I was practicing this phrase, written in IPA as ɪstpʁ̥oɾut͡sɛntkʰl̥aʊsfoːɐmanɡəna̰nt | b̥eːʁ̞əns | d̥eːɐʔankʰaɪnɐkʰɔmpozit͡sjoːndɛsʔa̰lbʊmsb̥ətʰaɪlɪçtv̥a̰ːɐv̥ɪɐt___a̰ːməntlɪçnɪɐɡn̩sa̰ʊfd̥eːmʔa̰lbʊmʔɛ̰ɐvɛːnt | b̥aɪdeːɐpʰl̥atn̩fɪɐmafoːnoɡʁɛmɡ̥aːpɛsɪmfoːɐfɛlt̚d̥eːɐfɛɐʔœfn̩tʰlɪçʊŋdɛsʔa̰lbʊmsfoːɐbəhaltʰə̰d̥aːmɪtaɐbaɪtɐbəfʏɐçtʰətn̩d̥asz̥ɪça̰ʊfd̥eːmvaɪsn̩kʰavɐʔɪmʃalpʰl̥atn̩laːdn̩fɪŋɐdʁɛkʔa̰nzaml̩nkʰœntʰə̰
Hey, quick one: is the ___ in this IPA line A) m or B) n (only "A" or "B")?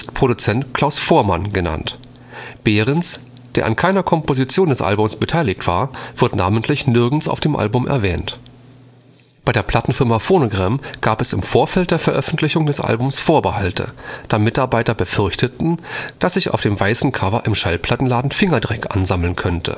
B